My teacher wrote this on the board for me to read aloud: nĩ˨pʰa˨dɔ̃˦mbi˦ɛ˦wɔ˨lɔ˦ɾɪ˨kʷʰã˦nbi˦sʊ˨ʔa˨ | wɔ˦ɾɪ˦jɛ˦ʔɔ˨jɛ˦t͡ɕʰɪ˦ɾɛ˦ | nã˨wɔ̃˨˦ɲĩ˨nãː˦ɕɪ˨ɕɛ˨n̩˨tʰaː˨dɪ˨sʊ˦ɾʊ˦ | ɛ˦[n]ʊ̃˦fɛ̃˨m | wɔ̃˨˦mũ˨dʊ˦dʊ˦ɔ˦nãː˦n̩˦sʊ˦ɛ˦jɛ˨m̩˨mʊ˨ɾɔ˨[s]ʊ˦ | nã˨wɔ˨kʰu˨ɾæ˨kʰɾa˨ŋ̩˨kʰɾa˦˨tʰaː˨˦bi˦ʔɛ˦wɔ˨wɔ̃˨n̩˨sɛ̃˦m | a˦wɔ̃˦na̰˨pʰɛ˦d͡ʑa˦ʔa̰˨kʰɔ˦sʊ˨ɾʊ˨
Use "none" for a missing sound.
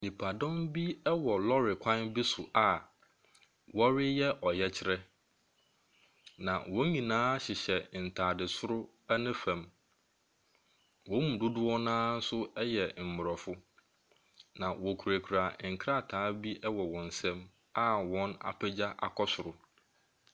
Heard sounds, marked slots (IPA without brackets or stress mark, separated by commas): n, f